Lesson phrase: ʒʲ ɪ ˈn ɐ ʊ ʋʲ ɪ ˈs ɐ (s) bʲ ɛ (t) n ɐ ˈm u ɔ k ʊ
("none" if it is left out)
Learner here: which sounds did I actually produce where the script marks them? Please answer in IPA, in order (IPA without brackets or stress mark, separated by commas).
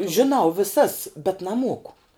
s, t